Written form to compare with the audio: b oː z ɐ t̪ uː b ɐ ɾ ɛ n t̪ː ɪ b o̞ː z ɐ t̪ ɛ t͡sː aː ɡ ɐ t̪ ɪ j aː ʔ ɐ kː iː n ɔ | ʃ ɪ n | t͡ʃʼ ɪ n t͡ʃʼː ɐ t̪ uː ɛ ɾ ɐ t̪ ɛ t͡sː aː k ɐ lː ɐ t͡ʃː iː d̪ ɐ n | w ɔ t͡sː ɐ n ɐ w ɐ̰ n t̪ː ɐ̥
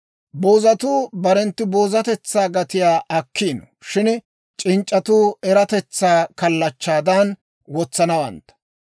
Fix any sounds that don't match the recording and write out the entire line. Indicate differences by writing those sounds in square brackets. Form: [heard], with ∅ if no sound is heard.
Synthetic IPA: b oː z ɐ t̪ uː b ɐ ɾ ɛ n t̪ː ɪ b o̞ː z ɐ t̪ ɛ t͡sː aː ɡ ɐ t̪ ɪ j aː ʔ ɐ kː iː n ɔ | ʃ ɪ n | t͡ʃʼ ɪ n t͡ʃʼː ɐ t̪ uː ɛ ɾ ɐ t̪ ɛ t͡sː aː k ɐ lː ɐ t͡ʃː [aː] d̪ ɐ n | w ɔ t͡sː ɐ n ɐ w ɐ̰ n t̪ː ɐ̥